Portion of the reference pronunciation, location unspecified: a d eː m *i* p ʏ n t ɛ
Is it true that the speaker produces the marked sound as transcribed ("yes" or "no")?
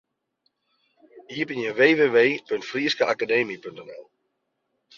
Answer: yes